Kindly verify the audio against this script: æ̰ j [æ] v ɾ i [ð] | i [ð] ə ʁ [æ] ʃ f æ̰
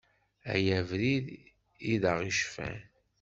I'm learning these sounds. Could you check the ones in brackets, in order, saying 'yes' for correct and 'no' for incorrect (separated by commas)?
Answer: yes, yes, yes, no